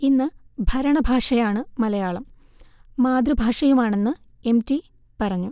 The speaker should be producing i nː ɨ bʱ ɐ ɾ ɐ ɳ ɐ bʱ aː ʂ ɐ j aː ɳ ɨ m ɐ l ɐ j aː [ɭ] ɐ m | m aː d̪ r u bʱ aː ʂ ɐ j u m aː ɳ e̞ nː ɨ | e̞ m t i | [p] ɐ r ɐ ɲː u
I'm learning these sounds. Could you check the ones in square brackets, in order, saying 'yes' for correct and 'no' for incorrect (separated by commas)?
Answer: yes, yes